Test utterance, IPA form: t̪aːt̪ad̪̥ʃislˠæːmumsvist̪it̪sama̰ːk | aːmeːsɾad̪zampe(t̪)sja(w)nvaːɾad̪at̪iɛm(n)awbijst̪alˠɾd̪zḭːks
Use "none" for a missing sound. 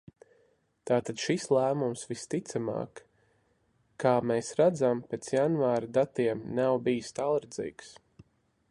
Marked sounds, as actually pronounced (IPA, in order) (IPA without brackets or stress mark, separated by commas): t̪, none, n